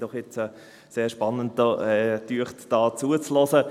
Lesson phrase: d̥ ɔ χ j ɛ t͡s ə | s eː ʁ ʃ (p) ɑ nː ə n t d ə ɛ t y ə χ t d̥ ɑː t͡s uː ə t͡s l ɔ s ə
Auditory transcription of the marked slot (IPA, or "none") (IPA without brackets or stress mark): p